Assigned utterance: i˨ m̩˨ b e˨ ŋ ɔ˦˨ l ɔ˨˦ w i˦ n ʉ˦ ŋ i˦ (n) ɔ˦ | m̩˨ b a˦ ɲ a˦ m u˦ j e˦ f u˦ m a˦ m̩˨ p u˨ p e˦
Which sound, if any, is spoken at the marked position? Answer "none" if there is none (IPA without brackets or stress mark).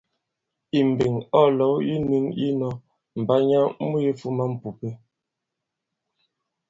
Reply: n